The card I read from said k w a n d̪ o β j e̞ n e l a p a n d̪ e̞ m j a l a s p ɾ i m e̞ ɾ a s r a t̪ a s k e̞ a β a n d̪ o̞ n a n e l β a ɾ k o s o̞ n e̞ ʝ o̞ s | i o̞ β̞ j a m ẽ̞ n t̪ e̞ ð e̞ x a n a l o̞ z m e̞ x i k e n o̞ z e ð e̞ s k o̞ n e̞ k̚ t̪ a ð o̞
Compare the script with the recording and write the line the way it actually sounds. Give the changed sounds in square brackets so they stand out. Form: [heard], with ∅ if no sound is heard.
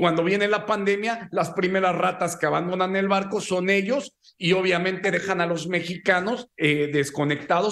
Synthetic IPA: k w a n d̪ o β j e̞ n e l a p a n d̪ e̞ m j a l a s p ɾ i m e̞ ɾ a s r a t̪ a s k e̞ a β a n d̪ o̞ n a n e l β a ɾ k o s o̞ n e̞ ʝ o̞ s | i o̞ β̞ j a m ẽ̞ n t̪ e̞ ð e̞ x a n a l o̞ z m e̞ x i k [a] n o̞ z e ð e̞ s k o̞ n e̞ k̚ t̪ a ð o̞